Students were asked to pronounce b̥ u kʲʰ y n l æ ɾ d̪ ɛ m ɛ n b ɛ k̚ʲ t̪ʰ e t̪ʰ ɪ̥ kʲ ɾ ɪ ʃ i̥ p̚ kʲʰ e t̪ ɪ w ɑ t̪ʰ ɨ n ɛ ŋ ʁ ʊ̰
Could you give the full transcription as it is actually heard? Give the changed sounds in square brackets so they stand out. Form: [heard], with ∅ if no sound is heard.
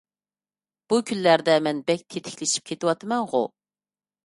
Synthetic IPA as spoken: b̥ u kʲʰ y n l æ ɾ d̪ ɛ m ɛ n b ɛ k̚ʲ t̪ʰ e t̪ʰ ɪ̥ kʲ [l] ɪ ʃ i̥ p̚ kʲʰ e t̪ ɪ w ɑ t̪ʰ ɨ [m] ɛ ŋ ʁ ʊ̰